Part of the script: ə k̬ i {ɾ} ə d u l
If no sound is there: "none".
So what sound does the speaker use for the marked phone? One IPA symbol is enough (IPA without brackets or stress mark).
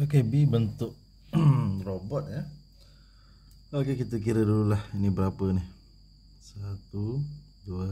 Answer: ɾ